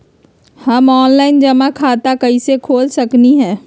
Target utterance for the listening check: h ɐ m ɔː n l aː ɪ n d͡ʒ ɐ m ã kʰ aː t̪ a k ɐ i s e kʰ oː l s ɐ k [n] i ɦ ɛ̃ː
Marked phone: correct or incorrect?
correct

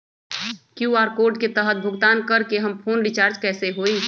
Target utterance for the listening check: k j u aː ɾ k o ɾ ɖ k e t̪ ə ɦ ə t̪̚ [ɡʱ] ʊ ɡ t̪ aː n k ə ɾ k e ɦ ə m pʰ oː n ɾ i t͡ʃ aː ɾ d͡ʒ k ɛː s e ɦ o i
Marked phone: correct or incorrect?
incorrect: bʱ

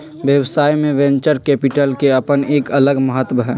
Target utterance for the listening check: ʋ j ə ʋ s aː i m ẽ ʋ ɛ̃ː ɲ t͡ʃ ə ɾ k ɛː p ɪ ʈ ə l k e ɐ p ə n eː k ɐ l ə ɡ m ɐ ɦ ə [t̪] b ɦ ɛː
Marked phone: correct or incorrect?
correct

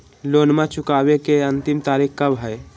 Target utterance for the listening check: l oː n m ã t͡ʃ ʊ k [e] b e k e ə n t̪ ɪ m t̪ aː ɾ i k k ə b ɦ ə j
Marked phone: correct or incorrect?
incorrect: a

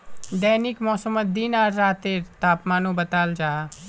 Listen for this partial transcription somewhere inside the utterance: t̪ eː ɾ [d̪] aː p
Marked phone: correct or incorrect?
incorrect: t̪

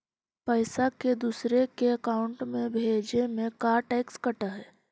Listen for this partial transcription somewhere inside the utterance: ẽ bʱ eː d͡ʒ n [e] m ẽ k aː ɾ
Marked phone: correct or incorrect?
correct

